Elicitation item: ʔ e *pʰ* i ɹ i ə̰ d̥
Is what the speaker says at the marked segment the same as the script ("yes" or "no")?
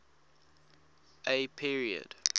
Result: yes